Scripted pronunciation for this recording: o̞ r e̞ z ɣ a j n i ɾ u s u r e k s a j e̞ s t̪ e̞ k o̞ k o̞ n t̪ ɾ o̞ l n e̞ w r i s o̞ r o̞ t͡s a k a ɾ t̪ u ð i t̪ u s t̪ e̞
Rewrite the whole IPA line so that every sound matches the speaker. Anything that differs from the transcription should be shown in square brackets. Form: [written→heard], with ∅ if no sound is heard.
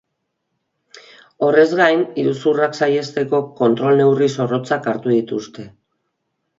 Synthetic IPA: o̞ r e̞ z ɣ a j n i ɾ u s u r [e→a] k s a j e̞ s t̪ e̞ k o̞ k o̞ n t̪ ɾ o̞ l n e̞ w r i s o̞ r o̞ t͡s a k a ɾ t̪ u ð i t̪ u s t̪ e̞